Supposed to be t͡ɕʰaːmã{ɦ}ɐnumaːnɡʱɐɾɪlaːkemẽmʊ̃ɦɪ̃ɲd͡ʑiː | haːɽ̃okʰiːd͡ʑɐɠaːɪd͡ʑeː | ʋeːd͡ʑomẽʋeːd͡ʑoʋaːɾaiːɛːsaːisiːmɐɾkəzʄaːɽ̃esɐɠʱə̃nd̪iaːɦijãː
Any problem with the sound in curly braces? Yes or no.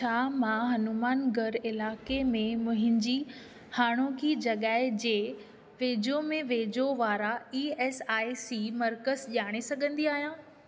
no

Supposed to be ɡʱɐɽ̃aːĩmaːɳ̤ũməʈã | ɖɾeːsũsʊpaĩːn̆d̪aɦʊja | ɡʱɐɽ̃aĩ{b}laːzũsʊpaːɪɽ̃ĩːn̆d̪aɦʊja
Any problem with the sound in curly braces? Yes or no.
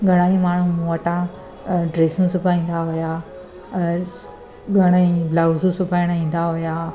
no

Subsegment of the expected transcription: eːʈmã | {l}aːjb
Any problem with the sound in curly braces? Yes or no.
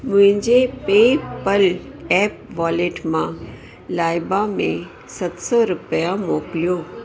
no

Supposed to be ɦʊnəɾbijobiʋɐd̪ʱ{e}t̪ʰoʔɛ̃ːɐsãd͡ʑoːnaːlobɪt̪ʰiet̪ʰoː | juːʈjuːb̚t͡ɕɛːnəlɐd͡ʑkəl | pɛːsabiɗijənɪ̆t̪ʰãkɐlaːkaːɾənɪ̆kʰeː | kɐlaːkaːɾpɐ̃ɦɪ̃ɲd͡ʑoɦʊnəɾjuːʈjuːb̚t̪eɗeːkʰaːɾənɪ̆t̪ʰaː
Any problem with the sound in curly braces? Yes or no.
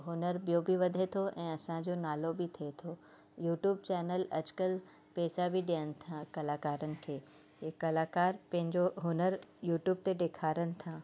no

